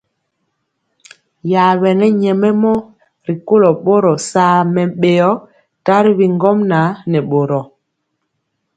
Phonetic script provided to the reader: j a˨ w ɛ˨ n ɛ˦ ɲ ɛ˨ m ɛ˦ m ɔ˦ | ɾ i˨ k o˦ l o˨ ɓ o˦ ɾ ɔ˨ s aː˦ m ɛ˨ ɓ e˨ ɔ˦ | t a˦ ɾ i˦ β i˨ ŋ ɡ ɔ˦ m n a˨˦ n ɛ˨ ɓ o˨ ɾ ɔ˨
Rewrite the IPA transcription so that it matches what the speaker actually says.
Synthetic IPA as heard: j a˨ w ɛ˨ n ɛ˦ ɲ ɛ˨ m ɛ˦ m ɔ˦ | ɾ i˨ k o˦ l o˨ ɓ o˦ ɾ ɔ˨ s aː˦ m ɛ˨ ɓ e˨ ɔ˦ | t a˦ ɾ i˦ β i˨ ŋ ɡ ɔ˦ m n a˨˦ n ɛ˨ ɓ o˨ ɾ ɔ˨